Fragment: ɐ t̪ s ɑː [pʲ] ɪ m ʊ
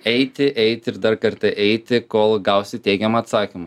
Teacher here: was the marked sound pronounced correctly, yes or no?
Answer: no